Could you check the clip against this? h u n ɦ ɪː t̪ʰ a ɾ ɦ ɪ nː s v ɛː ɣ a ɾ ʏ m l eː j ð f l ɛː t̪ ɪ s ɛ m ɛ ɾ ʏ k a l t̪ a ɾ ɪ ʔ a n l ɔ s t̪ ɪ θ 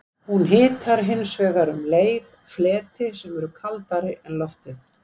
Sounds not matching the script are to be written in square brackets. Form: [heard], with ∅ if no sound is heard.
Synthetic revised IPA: h u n ɦ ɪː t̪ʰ a ɾ ɦ ɪ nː s v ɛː ɣ a ɾ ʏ m l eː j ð f l ɛː t̪ ɪ s ɛ m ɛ ɾ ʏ [kʰ] a l t̪ a ɾ ɪ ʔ [ɛ] n l ɔ [f] t̪ ɪ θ